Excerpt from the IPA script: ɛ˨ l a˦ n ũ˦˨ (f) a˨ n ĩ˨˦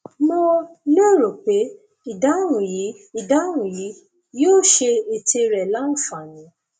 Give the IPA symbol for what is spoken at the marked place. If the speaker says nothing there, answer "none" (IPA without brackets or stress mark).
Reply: f